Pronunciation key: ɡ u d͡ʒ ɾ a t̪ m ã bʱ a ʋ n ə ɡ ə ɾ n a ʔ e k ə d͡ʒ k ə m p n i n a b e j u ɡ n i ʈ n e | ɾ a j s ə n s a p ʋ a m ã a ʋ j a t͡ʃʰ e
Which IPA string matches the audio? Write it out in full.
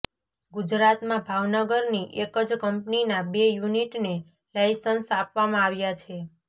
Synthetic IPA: ɡ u d͡ʒ ɾ a t̪ m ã bʱ a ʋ n ə ɡ ə ɾ n i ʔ e k ə d͡ʒ k ə m p n i n a b e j u n i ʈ n e | l a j s ə n s a p ʋ a m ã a ʋ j a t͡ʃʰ e